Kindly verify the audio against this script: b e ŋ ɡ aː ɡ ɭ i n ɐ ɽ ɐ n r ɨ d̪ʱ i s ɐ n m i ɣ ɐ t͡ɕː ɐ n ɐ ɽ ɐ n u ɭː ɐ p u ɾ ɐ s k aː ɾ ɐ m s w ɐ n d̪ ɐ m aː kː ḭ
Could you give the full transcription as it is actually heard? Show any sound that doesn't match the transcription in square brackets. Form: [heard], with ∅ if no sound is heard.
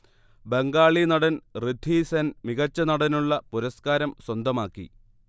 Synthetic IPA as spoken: b e ŋ ɡ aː [∅] ɭ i n ɐ ɽ ɐ n r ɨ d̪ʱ i s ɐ n m i ɣ ɐ t͡ɕː ɐ n ɐ ɽ ɐ n u ɭː ɐ p u ɾ ɐ s k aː ɾ ɐ m s w ɐ n d̪ ɐ m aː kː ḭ

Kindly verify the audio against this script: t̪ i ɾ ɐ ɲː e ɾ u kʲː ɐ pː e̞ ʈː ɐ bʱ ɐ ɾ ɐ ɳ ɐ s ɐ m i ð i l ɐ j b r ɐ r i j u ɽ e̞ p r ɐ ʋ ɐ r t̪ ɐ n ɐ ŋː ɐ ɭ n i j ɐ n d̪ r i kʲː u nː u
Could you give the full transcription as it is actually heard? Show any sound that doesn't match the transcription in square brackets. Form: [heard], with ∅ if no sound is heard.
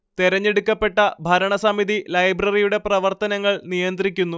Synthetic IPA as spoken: t̪ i ɾ ɐ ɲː e [ɽ] u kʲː ɐ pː e̞ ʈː ɐ bʱ ɐ ɾ ɐ ɳ ɐ s ɐ m i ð i l ɐ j b r ɐ r i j u ɽ e̞ p r ɐ ʋ ɐ r t̪ ɐ n ɐ ŋː ɐ ɭ n i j ɐ n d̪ r i kʲː u nː u

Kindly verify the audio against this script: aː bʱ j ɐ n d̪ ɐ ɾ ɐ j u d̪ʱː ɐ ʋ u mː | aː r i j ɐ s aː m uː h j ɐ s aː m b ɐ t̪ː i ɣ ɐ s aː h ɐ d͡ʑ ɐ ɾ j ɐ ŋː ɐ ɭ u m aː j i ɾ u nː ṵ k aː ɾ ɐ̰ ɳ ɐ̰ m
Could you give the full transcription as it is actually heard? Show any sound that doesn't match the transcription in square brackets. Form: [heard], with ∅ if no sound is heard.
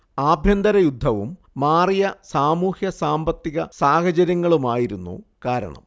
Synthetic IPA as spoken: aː bʱ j ɐ n d̪ ɐ ɾ ɐ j u d̪ʱː ɐ ʋ u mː | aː r i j ɐ s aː m uː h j ɐ s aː m b ɐ t̪ː i ɣ ɐ s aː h ɐ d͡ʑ ɐ ɾ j ɐ ŋː ɐ ɭ u m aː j i ɾ u nː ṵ k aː ɾ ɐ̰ ɳ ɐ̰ m

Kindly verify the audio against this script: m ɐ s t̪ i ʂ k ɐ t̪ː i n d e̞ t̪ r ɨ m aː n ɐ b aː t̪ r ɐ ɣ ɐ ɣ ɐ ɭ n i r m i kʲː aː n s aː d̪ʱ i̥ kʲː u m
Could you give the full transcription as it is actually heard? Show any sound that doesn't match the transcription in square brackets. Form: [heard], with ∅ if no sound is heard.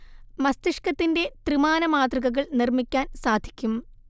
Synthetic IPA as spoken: m ɐ s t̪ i ʂ k ɐ t̪ː i n d e̞ t̪ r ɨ m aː n ɐ [m] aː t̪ r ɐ ɣ ɐ ɣ ɐ ɭ n i r m i kʲː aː n s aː d̪ʱ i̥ kʲː u m

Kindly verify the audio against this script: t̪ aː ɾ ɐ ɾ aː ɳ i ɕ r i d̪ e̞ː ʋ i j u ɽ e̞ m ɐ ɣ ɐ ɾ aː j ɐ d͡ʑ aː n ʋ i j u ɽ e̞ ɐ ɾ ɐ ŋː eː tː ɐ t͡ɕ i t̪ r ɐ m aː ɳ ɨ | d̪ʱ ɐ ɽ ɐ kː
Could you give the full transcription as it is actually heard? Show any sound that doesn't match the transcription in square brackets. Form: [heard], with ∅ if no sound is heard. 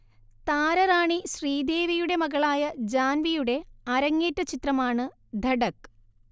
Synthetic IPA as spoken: t̪ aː ɾ ɐ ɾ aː ɳ i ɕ r [iː] d̪ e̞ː ʋ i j u ɽ e̞ m ɐ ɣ ɐ [ɭ] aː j ɐ d͡ʑ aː n ʋ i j u ɽ e̞ ɐ ɾ ɐ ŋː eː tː ɐ t͡ɕ i t̪ r ɐ m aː ɳ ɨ | d̪ʱ ɐ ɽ ɐ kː

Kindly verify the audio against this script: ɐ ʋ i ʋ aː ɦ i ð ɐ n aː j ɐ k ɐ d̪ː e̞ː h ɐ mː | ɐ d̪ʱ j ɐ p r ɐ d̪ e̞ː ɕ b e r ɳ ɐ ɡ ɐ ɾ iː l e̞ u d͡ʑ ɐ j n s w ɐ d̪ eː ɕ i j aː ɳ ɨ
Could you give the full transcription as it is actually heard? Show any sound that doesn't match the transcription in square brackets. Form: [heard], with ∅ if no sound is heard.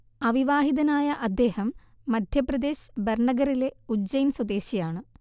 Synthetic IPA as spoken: ɐ ʋ i ʋ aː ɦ i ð ɐ n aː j ɐ [ʔ] ɐ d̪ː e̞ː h ɐ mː | ɐ d̪ʱ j ɐ p r ɐ d̪ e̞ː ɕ b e r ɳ ɐ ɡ ɐ ɾ [i] l e̞ u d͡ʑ ɐ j n s w ɐ d̪ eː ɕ i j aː ɳ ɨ

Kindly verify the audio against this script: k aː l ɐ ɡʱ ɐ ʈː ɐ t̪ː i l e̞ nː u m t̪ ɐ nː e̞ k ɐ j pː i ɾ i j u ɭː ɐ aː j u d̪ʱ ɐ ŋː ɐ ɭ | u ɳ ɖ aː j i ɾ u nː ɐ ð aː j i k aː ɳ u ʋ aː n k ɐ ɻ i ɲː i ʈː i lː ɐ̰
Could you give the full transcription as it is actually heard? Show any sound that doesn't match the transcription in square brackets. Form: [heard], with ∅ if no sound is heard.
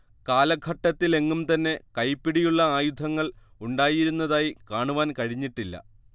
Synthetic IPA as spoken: k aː l ɐ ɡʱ ɐ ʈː ɐ t̪ː i l e̞ [ŋː] u m t̪ ɐ nː e̞ k ɐ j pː i [ɽ] i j u ɭː ɐ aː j u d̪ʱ ɐ ŋː ɐ ɭ | u ɳ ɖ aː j i ɾ u nː ɐ ð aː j i k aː ɳ u ʋ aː n k ɐ ɻ i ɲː i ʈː i lː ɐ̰

